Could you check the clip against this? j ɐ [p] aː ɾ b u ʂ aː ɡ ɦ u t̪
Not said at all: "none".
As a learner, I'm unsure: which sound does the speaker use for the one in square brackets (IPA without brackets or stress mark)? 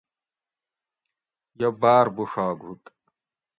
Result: b